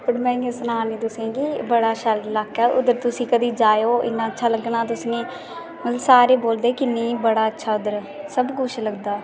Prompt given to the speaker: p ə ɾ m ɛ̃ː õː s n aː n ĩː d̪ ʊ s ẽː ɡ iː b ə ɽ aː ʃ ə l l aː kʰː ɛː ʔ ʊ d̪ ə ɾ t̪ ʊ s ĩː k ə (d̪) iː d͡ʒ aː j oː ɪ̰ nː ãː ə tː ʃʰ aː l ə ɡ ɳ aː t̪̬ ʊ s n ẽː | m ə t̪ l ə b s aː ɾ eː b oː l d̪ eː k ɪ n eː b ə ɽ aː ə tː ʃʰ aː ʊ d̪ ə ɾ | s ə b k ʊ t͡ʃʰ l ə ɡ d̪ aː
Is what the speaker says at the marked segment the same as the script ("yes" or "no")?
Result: yes